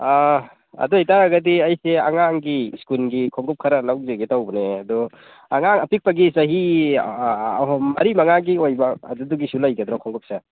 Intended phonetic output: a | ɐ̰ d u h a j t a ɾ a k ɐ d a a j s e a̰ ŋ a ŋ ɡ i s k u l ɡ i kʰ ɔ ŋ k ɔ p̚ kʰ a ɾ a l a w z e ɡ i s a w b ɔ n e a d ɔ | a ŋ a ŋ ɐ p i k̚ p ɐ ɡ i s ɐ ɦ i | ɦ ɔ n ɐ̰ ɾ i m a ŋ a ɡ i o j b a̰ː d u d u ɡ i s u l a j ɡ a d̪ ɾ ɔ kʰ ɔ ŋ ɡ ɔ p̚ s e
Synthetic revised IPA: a | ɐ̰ d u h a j t a ɾ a ɡ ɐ d i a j s e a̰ ŋ a ŋ ɡ i s k u l ɡ i kʰ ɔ ŋ ɡ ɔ p̚ kʰ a ɾ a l a w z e ɡ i t a w b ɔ n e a d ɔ | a ŋ a ŋ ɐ p i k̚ p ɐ ɡ i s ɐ ɦ i | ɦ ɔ m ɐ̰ ɾ i m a ŋ a ɡ i o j b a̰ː d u d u ɡ i s u l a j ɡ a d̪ ɾ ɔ kʰ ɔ ŋ ɡ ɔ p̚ s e